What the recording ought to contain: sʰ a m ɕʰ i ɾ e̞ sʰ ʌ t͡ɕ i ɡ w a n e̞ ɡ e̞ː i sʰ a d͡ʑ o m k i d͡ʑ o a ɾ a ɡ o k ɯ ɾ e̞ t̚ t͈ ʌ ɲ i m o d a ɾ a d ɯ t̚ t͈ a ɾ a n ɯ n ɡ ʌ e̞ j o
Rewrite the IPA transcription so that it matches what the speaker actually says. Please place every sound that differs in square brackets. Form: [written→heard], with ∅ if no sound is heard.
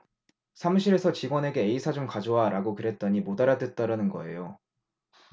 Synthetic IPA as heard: sʰ a m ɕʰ i ɾ e̞ sʰ ʌ t͡ɕ i ɡ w [a→ʌ] n e̞ ɡ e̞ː i sʰ a d͡ʑ o m k [i→a] d͡ʑ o a ɾ a ɡ o k ɯ ɾ e̞ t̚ t͈ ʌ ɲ i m o d a ɾ a d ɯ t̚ t͈ a ɾ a n ɯ n ɡ ʌ e̞ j o

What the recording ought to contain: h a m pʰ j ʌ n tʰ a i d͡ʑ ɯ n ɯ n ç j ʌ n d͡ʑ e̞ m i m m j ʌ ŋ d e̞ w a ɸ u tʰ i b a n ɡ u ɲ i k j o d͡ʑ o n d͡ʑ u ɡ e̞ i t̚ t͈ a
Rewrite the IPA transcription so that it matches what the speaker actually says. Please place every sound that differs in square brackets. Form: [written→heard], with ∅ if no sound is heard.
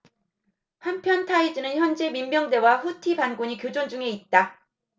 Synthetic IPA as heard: h a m pʰ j ʌ n tʰ a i d͡ʑ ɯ n ɯ n ç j ʌ n d͡ʑ e̞ m i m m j ʌ ŋ d e̞ w a ɸ u tʰ i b a n ɡ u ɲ i k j o d͡ʑ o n d͡ʑ u [ɡ→ŋ] e̞ i t̚ t͈ a

